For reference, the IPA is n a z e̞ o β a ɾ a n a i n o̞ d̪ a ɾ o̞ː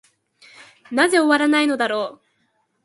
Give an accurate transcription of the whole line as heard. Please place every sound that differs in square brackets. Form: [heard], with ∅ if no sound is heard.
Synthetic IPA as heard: n a z e̞ o β a ɾ a n a i n o̞ d̪ a ɾ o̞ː